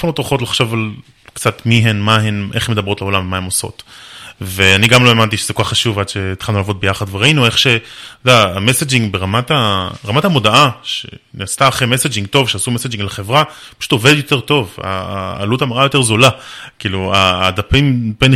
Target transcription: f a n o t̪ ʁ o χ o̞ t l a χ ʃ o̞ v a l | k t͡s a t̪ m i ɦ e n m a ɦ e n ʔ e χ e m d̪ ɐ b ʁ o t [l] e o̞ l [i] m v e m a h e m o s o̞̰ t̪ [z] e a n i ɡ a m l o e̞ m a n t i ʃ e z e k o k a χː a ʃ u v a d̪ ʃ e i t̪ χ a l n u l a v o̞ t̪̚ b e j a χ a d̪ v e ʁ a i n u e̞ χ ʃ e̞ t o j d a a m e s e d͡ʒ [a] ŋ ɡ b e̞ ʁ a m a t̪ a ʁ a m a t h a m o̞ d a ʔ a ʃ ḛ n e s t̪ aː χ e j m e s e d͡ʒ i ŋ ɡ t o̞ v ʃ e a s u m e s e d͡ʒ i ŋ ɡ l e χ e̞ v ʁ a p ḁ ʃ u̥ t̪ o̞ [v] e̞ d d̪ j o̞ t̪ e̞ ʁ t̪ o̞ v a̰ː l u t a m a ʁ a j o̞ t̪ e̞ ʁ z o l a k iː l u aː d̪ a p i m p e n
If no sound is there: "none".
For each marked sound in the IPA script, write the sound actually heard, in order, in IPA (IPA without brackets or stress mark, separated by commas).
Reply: l, a, v, i, v